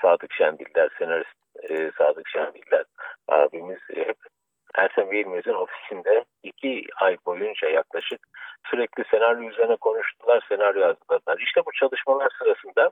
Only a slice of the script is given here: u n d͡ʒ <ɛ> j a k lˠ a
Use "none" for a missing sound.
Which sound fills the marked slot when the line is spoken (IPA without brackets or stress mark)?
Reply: a